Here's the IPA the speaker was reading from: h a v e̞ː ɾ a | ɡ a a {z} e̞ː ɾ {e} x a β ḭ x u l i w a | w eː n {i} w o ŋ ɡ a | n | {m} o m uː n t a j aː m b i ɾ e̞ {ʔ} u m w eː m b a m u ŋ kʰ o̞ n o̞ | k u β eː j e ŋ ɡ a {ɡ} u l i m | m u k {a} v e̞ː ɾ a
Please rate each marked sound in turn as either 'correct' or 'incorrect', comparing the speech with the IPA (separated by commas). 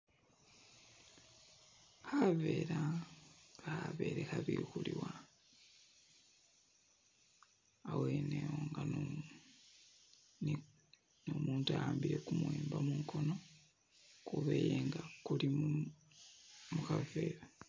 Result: incorrect, correct, incorrect, incorrect, incorrect, incorrect, correct